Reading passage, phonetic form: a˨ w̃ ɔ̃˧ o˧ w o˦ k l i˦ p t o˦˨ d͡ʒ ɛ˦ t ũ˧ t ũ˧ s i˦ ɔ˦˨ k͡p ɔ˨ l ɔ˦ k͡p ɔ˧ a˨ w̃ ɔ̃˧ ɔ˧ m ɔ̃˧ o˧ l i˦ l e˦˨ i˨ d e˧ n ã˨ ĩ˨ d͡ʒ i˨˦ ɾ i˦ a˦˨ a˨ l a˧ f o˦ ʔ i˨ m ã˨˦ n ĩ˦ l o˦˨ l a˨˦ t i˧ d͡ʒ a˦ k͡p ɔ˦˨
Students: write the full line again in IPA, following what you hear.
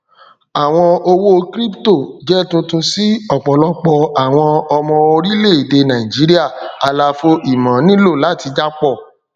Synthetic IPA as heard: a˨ w̃ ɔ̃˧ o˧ w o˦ k ɾ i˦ p t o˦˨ d͡ʒ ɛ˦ t ũ˧ t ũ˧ s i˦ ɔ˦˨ k͡p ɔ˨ l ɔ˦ k͡p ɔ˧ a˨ w̃ ɔ̃˧ ɔ˧ m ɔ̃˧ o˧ ɾ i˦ l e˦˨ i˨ d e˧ n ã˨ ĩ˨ d͡ʒ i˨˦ ɾ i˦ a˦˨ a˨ l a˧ f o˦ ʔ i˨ m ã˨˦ n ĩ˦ l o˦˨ l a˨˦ t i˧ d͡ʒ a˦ k͡p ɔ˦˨